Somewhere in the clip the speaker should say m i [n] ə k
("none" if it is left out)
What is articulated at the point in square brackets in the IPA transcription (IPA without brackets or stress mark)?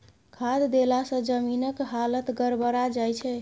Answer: n